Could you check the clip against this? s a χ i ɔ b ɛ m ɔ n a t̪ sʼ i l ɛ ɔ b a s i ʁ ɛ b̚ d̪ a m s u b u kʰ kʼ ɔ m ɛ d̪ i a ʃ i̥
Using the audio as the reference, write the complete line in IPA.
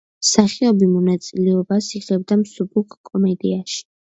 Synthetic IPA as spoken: s a χ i ɔ b i m ɔ n a t̪ sʼ i l ɛ ɔ b a s i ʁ ɛ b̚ d̪ a m s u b u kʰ kʼ ɔ m ɛ d̪ i a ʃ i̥